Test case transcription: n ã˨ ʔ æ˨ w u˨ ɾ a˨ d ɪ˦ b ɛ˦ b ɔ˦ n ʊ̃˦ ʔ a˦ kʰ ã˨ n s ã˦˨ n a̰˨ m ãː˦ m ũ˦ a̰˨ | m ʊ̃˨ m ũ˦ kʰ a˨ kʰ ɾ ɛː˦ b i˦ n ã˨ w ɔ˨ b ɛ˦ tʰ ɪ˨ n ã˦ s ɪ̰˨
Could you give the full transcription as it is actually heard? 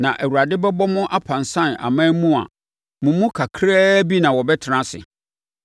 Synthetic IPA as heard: n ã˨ ʔ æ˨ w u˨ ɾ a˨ d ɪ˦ b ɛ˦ b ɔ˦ m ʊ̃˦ ʔ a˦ pʰ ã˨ n s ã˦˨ n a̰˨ m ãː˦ m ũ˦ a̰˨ | m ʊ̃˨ m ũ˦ kʰ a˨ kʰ ɾ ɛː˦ b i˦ n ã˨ w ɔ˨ b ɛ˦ tʰ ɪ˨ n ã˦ s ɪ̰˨